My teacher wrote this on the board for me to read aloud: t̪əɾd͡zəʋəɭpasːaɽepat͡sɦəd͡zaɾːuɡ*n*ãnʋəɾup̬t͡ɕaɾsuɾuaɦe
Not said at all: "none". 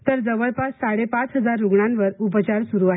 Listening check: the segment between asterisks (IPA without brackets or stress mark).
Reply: ɳ